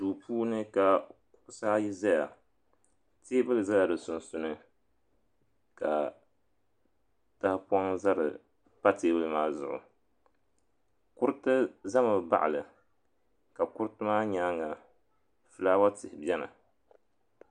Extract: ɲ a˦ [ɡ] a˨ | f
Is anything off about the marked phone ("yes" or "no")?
yes